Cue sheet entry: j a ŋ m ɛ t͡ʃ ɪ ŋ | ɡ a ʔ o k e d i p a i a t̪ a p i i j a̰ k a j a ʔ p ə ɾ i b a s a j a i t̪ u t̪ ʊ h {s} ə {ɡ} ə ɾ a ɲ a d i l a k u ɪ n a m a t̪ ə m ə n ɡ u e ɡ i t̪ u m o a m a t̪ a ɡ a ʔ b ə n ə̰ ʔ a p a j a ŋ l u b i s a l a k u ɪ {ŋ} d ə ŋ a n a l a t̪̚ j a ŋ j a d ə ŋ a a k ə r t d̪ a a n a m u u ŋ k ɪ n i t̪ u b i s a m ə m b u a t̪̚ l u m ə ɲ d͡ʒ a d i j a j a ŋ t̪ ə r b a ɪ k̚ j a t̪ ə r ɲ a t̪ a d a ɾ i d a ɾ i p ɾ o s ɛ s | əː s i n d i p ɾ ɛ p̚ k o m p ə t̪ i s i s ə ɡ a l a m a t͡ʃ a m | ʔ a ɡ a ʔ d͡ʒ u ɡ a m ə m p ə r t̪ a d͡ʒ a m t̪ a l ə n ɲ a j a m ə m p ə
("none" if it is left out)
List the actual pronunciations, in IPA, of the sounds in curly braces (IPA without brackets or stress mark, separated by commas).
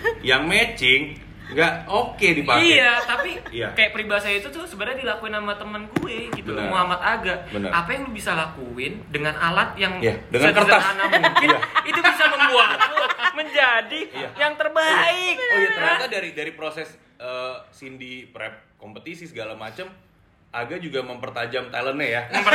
s, b, n